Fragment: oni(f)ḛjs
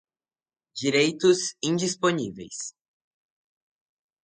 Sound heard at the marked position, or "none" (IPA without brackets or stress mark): v